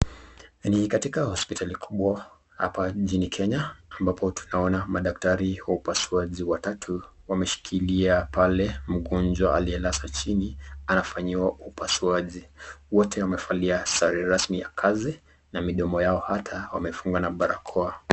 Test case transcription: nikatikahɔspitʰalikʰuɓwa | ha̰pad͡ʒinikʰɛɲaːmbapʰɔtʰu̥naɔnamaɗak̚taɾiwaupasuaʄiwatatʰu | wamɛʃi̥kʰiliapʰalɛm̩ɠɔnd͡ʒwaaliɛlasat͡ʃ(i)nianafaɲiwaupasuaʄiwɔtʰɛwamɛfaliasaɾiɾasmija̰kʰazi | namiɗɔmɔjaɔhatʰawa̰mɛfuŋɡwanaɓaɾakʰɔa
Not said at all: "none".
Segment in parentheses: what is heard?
i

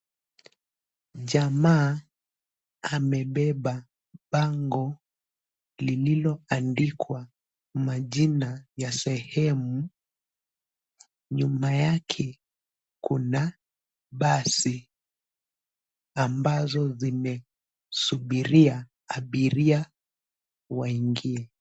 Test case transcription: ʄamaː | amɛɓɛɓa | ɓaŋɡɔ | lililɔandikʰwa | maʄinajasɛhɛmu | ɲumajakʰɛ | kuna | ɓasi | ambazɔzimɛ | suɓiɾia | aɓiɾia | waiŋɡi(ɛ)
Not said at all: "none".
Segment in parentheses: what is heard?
ɛ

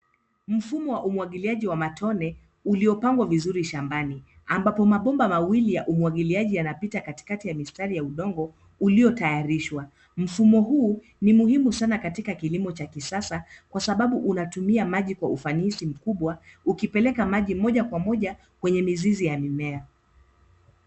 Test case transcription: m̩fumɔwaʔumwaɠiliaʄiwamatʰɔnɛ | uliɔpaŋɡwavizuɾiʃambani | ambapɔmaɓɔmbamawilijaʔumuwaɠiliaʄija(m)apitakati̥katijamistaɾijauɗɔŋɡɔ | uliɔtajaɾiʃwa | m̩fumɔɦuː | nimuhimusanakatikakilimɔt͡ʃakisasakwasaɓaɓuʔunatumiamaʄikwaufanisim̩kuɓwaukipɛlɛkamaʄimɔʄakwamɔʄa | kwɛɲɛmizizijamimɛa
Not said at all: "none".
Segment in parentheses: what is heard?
n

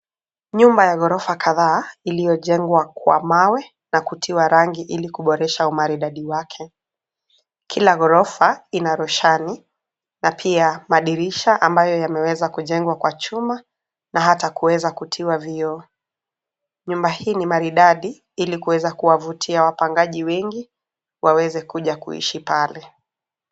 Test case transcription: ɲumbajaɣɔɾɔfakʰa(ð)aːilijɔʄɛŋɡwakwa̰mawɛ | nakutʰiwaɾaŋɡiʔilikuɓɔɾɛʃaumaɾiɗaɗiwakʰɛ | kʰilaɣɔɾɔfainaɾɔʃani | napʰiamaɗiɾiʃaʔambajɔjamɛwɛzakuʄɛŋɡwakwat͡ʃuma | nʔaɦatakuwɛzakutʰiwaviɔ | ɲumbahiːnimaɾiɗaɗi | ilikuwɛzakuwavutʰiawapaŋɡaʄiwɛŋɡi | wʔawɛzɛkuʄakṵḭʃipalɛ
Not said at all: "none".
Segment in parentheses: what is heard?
ð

